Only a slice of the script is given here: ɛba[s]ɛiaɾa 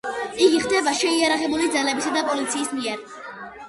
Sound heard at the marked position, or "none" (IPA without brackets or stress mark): ʃ